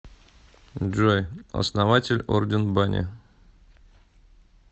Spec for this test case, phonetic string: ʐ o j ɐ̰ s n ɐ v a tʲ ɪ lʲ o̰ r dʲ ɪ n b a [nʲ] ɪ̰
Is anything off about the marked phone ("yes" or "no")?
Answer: no